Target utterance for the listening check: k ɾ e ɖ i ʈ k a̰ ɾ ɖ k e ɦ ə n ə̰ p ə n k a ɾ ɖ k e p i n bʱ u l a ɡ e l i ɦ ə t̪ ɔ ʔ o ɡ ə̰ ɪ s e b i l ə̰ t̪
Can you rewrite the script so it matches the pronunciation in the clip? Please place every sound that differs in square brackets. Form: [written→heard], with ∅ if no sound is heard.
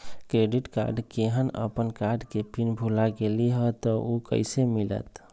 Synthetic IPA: k ɾ e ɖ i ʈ k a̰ ɾ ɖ k e ɦ ə n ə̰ p ə n k a ɾ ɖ k e p i n bʱ u l a ɡ e l i ɦ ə t̪ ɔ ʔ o [ɡ→k] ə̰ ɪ s e [b→m] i l ə̰ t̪